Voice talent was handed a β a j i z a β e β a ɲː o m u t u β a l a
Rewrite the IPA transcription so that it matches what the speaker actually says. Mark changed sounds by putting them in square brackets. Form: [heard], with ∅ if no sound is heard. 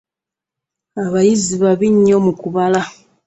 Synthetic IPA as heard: a β a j i z [i] β [a] β [i] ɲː o m u [k] u β a l a